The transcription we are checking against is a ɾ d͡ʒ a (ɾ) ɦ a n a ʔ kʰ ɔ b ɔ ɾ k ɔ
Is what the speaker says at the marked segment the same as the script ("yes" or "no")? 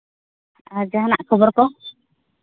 no